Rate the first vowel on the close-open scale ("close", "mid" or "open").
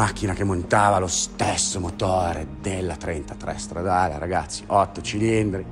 open